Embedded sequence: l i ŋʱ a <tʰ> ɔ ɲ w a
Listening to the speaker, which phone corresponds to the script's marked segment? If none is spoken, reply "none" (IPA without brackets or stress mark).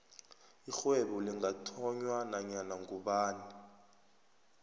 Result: tʰ